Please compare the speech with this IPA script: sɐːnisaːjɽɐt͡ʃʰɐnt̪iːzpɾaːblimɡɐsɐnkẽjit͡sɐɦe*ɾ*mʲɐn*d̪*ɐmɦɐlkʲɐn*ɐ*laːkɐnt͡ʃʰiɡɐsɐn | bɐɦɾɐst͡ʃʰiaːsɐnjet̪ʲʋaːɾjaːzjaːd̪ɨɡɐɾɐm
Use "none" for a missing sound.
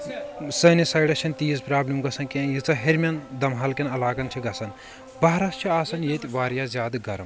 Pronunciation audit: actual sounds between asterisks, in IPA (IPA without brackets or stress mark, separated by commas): ɾ, d̪, ɐ